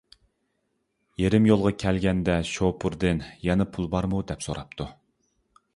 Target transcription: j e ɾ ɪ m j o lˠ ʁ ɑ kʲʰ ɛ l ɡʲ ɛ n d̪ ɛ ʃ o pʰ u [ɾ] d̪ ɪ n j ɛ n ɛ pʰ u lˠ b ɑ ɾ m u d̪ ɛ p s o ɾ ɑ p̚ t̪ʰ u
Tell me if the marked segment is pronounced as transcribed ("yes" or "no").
yes